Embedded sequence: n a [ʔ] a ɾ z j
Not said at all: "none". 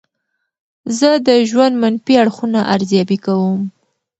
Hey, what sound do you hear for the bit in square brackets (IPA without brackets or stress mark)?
ʔ